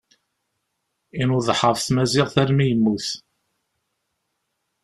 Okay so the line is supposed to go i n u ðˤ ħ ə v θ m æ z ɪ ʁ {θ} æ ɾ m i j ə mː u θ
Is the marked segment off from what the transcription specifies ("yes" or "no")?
no